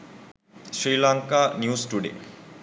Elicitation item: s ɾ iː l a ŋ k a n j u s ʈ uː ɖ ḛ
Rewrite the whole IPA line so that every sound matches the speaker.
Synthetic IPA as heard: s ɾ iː l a ŋ k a n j u s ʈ u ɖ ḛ